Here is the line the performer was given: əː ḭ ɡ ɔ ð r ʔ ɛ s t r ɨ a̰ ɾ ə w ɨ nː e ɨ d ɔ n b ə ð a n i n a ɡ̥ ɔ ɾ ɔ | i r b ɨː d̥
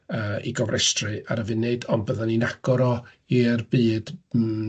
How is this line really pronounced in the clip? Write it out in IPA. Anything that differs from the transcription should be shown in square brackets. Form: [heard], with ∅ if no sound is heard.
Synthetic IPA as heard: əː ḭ ɡ ɔ [v] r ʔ ɛ s t r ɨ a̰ ɾ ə [v] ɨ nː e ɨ d ɔ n b ə ð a n i n a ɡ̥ ɔ ɾ ɔ | i r b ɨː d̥